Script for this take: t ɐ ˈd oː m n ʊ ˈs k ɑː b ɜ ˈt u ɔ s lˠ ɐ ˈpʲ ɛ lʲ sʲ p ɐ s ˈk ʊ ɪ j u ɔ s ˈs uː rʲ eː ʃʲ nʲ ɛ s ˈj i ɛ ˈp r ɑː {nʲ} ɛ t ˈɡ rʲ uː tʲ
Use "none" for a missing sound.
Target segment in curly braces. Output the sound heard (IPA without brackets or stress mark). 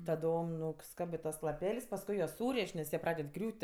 dʲ